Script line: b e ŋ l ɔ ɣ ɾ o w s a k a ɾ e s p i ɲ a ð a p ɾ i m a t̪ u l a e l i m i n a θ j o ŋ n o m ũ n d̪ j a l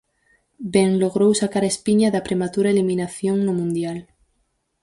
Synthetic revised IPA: b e ŋ l o ɣ ɾ o w s a k a ɾ e s p i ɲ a ð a p ɾ e m a t̪ u ɾ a e l i m i n a θ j o ŋ n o m ũ n d̪ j a l